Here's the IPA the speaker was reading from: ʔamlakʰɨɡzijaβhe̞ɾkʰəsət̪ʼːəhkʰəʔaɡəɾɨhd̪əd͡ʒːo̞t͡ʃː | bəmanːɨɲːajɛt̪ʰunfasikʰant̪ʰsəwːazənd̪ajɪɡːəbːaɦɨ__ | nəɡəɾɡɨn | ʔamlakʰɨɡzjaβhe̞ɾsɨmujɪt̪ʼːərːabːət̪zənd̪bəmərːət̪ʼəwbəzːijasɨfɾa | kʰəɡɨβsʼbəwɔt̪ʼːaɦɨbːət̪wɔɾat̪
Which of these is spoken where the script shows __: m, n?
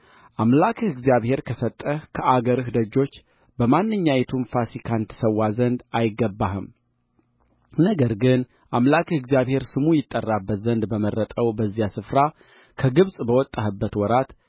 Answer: m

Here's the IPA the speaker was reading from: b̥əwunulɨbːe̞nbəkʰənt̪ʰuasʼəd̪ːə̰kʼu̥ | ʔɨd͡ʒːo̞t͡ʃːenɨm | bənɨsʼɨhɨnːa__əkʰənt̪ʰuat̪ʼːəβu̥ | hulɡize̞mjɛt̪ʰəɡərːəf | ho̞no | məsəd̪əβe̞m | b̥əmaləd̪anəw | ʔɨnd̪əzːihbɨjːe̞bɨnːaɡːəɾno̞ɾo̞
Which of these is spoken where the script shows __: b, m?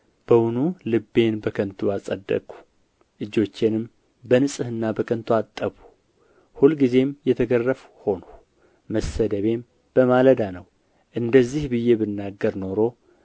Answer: b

